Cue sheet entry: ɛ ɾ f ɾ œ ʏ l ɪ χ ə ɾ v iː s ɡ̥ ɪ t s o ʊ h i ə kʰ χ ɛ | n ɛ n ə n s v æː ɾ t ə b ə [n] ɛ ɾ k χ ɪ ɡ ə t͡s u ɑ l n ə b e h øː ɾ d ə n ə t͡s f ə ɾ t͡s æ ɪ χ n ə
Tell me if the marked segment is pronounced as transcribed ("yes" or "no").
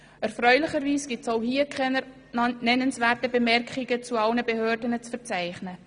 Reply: no